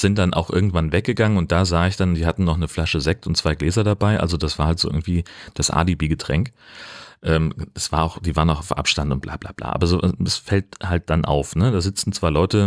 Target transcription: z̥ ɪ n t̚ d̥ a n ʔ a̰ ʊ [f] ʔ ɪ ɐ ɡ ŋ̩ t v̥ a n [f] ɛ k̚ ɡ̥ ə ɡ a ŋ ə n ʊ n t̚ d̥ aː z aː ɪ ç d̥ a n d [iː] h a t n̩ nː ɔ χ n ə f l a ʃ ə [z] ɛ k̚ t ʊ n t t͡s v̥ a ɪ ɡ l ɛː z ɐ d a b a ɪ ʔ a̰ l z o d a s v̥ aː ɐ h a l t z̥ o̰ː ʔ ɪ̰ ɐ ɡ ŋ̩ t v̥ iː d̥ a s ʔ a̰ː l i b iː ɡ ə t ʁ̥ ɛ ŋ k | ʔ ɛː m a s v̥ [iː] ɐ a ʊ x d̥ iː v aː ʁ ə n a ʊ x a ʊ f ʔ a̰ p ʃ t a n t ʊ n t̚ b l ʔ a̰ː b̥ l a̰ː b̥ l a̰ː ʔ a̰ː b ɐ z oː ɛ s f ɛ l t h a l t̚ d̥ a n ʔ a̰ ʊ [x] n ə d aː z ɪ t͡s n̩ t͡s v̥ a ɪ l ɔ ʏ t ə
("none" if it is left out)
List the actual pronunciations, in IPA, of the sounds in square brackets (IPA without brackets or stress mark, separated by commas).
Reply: x, v, iː, z, aː, f